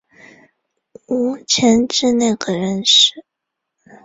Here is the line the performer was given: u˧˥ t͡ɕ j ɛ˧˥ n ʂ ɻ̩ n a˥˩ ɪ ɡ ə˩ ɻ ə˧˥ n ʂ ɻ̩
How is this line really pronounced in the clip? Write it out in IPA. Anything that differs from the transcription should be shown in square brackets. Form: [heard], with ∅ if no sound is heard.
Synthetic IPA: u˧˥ [t͡ɕʰ] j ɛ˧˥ n [ʈ͡ʂ] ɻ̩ n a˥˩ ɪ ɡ ə˩ ɻ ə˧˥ n ʂ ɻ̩